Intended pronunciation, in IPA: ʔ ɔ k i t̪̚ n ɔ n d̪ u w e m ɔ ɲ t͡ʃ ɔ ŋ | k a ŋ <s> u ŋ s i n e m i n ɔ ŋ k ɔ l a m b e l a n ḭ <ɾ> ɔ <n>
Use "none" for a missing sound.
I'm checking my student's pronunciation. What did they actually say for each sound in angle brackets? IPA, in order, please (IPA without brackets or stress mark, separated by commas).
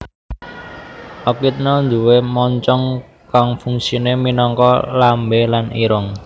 f, ɾ, ŋ